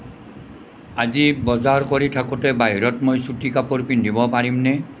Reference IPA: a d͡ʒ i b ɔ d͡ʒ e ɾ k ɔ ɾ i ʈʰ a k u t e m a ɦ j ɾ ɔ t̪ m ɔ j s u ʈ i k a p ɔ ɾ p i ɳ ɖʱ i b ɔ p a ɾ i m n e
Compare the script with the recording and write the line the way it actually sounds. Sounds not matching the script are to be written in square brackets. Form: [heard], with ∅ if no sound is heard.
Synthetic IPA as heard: a d͡ʒ i b ɔ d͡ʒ [a] ɾ k ɔ ɾ i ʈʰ a k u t e [b] a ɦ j ɾ ɔ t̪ m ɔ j s u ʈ i k a p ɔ ɾ p i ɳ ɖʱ i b ɔ p a ɾ i m n e